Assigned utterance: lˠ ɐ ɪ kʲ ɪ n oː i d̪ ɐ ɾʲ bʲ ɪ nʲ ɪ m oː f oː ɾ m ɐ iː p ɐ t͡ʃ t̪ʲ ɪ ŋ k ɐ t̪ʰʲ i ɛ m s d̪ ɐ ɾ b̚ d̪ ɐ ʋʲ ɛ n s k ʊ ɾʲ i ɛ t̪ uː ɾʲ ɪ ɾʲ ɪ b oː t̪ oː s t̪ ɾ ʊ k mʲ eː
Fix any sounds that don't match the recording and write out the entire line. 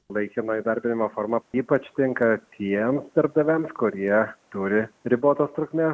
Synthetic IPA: lˠ ɐ ɪ kʲ ɪ n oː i d̪ ɐ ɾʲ bʲ ɪ nʲ ɪ m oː f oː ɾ m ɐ iː p ɐ t͡ʃ t̪ʲ ɪ ŋ k ɐ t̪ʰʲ i ɛ m s d̪ ɐ ɾ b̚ d̪ ɐ ʋʲ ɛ m s k ʊ ɾʲ i ɛ t̪ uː ɾʲ ɪ ɾʲ ɪ b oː t̪ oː s t̪ ɾ ʊ k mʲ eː